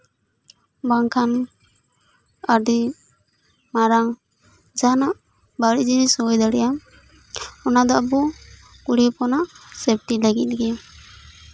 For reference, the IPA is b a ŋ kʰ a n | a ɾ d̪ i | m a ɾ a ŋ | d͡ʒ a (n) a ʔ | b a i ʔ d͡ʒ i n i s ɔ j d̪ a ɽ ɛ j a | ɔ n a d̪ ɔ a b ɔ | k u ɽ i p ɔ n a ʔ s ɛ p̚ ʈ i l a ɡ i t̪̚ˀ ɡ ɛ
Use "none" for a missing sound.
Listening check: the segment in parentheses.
n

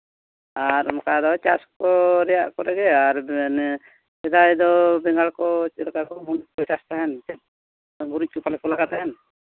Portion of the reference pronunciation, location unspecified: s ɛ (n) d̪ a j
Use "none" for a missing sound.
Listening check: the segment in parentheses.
none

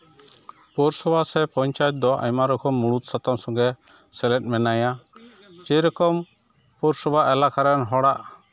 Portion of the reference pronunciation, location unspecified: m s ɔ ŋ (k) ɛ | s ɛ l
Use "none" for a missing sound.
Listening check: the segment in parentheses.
ɡ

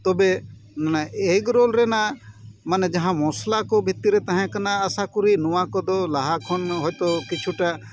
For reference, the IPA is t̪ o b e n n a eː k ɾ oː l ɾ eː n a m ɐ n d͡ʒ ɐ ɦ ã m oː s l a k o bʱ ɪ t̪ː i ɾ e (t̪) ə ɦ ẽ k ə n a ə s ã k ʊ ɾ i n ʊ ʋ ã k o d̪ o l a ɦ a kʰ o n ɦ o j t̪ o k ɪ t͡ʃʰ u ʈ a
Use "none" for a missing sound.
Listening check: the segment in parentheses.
t̪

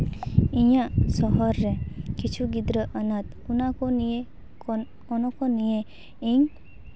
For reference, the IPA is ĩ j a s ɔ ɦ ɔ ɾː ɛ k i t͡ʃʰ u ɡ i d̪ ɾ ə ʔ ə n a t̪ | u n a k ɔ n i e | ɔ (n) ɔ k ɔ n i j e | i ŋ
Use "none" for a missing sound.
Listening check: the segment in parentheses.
n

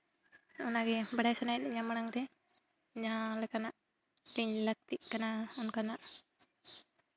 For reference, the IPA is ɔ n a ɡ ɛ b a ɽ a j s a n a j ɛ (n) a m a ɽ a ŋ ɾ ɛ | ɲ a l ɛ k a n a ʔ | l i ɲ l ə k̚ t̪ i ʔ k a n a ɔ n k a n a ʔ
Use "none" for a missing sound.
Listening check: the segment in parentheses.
ɲ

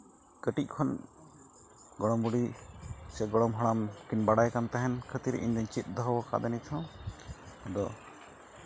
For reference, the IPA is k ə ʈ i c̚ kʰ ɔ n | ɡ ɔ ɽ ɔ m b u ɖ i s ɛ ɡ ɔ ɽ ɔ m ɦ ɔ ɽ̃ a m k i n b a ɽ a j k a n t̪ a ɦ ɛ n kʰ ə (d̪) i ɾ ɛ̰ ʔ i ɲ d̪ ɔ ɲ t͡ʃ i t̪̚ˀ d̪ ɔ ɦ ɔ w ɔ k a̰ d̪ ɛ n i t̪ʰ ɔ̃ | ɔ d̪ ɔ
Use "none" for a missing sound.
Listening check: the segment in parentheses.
t̪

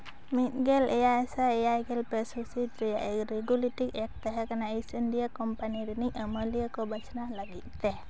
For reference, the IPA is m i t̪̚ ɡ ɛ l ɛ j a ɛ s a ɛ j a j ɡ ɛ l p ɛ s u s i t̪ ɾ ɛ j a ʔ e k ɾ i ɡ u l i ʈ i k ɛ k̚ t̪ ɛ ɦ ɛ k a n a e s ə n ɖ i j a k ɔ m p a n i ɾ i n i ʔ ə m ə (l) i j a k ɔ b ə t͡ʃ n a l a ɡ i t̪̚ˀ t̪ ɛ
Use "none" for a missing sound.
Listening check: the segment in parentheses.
l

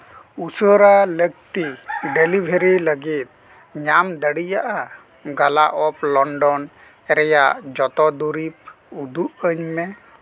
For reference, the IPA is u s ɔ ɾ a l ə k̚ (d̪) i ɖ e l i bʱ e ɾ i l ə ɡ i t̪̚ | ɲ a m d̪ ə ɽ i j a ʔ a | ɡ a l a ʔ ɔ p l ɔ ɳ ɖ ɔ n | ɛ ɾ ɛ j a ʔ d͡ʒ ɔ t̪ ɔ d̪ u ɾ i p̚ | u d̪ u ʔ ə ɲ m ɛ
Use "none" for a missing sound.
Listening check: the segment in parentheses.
t̪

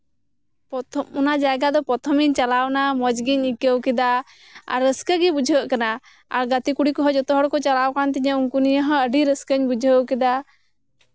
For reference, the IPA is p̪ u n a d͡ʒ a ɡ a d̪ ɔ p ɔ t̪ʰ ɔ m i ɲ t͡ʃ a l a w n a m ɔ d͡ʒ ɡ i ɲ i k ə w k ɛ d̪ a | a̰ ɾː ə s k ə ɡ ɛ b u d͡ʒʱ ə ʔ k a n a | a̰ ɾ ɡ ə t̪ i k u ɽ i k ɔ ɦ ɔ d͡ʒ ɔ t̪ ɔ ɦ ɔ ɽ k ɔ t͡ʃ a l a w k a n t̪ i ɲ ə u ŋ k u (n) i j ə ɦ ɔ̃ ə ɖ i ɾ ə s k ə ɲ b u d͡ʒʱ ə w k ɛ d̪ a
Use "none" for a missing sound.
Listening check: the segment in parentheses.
n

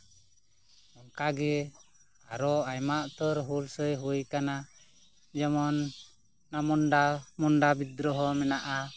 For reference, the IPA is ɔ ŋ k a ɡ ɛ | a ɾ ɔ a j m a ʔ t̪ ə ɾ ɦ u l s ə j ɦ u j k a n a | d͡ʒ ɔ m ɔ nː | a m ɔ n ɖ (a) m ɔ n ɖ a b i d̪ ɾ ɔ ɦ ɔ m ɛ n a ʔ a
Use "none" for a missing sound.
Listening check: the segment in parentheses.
a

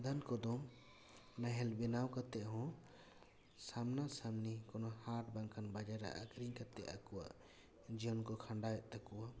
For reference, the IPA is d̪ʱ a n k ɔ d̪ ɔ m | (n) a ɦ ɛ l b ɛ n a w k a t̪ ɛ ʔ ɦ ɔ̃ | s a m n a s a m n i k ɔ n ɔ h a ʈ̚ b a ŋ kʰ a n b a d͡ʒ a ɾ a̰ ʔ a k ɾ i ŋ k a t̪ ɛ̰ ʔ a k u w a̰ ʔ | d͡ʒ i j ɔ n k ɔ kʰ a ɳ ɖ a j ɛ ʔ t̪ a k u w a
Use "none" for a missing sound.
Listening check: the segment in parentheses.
n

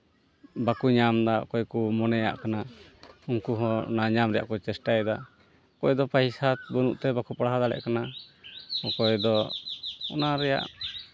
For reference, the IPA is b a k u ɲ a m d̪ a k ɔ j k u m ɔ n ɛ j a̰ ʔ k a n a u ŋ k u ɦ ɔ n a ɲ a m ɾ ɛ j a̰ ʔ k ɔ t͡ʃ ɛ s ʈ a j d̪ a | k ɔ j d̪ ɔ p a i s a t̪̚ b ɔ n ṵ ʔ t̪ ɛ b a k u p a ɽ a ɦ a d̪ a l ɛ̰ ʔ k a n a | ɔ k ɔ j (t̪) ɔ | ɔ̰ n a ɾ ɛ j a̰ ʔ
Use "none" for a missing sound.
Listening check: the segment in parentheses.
d̪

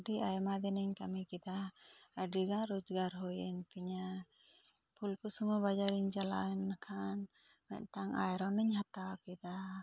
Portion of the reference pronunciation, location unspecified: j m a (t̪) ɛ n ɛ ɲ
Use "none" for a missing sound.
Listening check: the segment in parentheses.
d̪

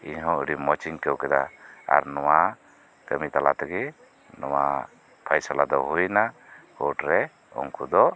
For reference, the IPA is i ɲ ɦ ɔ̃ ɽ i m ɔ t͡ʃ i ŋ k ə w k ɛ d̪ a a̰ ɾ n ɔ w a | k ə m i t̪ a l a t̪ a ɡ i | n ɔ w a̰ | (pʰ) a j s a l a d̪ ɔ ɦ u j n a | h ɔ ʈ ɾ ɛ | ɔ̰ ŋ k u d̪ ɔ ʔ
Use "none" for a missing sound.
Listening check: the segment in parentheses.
pʰ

